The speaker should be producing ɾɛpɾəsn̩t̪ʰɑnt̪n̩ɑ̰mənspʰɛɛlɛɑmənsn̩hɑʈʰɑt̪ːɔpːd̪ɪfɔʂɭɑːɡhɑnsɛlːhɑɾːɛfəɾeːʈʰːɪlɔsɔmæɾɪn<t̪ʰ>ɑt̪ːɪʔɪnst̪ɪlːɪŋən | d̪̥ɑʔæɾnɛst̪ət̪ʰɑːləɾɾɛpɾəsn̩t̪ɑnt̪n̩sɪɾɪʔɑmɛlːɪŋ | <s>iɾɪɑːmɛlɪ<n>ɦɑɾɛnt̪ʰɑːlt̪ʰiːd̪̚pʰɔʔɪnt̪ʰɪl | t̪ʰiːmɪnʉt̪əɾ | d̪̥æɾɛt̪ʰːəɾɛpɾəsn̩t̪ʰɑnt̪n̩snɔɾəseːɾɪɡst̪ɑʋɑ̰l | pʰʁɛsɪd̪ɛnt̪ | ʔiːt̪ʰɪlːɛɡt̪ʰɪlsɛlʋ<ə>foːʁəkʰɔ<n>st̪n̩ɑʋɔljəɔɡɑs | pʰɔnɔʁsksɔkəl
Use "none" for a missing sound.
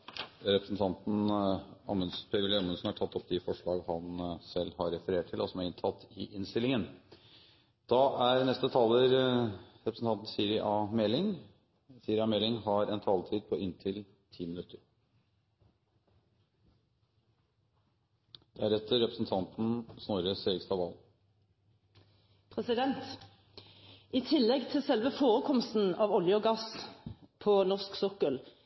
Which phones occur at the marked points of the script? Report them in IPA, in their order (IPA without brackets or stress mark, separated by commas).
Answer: t̪ʰ, s, ŋ, ə, m